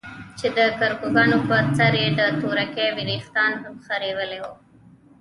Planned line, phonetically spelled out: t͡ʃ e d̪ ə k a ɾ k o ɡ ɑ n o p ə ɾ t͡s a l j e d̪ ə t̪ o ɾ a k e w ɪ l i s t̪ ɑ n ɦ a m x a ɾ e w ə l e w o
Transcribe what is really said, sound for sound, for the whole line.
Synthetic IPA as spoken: t͡ʃ e d̪ ə k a ɾ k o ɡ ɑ n o p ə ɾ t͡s a ɾ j e d̪ ə t̪ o ɾ a k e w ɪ ɾ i x t̪ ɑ n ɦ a m x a ɾ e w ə l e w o